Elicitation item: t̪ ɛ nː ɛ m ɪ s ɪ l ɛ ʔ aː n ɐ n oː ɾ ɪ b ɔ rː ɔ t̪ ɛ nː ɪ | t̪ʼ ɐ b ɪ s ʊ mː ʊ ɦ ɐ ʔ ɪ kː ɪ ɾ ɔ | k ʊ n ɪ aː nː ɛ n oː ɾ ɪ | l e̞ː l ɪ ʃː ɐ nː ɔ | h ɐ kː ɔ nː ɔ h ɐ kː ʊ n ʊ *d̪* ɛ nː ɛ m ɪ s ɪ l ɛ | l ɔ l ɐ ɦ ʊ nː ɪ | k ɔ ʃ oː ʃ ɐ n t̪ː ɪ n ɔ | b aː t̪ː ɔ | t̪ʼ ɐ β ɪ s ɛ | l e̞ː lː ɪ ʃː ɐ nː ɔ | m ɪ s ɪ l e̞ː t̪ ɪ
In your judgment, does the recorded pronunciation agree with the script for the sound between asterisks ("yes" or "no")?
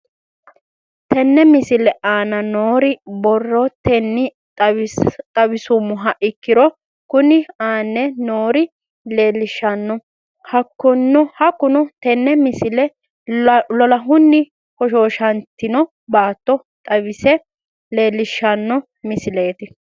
no